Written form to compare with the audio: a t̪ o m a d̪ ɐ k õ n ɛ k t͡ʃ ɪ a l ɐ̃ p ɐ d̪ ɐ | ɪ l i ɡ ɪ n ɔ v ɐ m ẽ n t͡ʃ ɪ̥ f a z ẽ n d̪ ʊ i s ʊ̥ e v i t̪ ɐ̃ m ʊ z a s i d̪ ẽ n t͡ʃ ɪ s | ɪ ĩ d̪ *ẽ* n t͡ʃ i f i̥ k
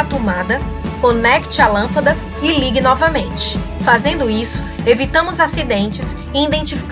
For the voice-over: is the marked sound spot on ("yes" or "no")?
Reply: yes